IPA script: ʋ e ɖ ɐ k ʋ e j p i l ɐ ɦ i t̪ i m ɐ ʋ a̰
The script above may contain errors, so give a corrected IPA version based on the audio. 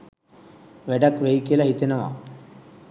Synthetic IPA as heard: ʋ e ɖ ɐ k ʋ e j k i l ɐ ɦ i t̪ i n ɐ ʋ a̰